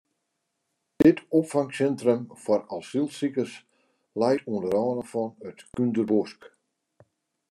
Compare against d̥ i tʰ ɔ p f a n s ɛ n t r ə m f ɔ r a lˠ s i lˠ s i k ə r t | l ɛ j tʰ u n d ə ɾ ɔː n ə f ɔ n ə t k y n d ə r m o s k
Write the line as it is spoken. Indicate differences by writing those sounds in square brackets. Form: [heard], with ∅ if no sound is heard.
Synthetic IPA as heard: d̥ [ɪ] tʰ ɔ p f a [ŋ] s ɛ n t r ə m f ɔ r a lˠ s i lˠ s i k ə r [s] | l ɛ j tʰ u n d ə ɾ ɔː n ə f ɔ n ə t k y n d ə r [b] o s k